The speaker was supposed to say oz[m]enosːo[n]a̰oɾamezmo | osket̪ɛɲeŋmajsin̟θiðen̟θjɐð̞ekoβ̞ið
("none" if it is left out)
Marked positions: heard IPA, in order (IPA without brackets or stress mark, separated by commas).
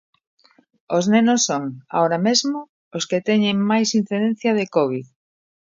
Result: n, ŋ